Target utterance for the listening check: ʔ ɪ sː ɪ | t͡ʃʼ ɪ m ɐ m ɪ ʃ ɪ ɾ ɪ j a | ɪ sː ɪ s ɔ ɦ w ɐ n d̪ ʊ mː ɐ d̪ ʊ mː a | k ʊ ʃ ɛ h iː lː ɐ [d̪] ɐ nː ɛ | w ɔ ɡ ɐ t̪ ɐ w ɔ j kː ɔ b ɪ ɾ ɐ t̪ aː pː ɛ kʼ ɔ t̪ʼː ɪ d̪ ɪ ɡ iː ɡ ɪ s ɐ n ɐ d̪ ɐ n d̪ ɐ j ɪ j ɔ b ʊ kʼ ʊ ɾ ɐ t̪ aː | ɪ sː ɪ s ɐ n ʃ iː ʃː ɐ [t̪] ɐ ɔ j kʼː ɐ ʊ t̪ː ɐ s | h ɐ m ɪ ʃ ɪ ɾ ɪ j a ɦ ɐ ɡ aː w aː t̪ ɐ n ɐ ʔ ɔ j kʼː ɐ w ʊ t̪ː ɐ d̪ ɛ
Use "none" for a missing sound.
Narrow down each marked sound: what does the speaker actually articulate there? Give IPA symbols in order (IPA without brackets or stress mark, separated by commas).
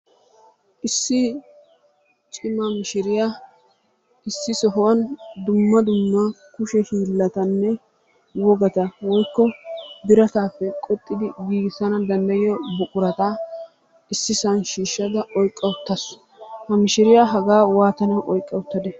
t̪, d̪